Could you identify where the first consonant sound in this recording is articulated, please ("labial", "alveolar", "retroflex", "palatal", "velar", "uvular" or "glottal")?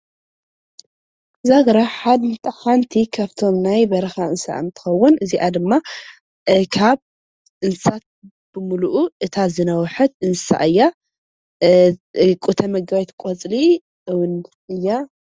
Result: alveolar